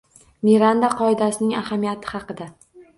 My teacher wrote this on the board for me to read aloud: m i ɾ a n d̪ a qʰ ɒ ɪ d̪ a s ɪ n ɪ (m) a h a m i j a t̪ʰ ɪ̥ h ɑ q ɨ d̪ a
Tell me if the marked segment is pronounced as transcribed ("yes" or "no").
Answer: no